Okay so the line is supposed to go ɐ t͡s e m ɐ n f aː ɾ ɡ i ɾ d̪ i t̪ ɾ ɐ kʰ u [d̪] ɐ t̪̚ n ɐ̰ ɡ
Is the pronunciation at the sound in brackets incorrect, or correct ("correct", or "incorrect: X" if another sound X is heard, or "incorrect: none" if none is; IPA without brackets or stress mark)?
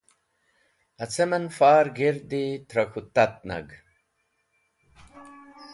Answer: incorrect: t̪